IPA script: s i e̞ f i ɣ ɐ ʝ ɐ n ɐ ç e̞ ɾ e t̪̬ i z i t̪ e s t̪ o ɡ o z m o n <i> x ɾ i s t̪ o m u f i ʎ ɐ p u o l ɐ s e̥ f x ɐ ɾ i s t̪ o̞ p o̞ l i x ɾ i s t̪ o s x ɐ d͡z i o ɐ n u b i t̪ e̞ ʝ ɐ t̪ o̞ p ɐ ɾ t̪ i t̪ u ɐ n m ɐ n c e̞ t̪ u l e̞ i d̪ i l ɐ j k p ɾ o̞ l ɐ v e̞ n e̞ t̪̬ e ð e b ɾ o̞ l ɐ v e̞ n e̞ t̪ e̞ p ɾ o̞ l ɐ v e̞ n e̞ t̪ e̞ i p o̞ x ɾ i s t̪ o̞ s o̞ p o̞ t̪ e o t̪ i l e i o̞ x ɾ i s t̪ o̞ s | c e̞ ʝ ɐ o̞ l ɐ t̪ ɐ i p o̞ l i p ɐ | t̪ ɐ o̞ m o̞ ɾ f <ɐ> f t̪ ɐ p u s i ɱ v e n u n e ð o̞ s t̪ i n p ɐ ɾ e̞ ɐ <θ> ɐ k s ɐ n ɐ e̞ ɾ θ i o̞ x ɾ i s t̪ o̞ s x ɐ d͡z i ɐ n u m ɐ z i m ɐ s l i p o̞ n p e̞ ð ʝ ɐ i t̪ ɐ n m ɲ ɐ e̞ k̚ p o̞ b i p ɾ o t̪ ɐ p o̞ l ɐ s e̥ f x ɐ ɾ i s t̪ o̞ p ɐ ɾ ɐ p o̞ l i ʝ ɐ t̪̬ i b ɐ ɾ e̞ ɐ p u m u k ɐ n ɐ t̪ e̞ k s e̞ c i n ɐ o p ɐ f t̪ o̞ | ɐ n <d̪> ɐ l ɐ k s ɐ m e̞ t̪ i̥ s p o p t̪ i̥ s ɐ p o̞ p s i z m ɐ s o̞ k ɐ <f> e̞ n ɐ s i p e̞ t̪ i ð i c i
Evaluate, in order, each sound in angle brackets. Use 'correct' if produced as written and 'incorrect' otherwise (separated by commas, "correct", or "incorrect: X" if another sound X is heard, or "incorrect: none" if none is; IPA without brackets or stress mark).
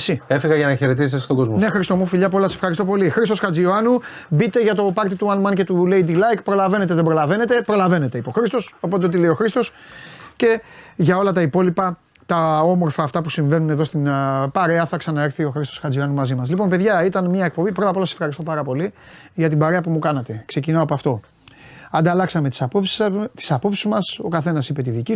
incorrect: e, incorrect: ɐː, correct, correct, incorrect: θ